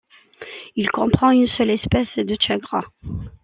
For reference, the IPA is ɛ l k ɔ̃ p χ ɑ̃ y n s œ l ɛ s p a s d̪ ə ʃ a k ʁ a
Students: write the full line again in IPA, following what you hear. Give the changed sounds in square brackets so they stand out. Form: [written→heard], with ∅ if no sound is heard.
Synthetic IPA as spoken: [ɛ→i] l k ɔ̃ p χ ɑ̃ y n s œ l ɛ s p [a→ɛ] s d̪ ə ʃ a [k→ɡ] ʁ a